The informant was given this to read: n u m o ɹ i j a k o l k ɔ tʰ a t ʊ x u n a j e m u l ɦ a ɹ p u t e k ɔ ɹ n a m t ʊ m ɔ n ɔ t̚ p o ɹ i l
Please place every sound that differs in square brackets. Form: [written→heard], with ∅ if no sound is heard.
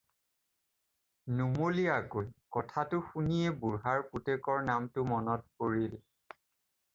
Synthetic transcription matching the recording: n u m o [ɹ→l] i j a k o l k ɔ tʰ a t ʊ x u n [a→i] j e [m→b] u [l→ɹ] ɦ a ɹ p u t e k ɔ ɹ n a m t ʊ m ɔ n ɔ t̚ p o ɹ i l